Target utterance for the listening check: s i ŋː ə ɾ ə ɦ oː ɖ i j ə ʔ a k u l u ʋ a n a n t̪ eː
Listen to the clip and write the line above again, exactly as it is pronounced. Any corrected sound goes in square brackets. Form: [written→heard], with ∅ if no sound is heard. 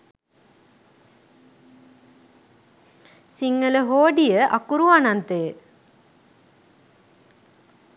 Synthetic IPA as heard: s i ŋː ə [ɾ→l] ə ɦ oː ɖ i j ə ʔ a k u [l→ɾ] u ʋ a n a n t̪ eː